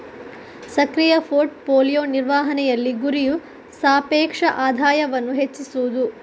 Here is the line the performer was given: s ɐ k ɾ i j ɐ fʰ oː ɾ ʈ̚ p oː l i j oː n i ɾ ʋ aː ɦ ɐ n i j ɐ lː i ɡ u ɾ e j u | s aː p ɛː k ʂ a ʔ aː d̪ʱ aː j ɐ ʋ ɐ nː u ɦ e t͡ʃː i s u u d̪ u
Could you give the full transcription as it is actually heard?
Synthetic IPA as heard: s ɐ k ɾ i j ɐ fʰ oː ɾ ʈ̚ p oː l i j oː n i ɾ ʋ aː ɦ ɐ n ɛ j ɐ lː i ɡ u ɾ i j u | s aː p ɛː k ʂ ɐ ʔ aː d̪ʱ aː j ɐ ʋ ɐ nː u ɦ e t͡ʃː i s u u d̪ u